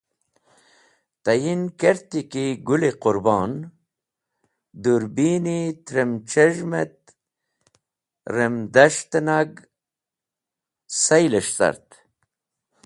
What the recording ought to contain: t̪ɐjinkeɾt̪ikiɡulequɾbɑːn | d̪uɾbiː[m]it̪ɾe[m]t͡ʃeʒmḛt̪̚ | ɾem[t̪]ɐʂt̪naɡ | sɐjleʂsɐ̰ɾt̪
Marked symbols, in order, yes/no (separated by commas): no, yes, no